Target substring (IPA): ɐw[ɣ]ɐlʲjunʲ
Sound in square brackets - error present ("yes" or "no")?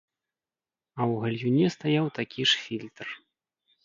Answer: no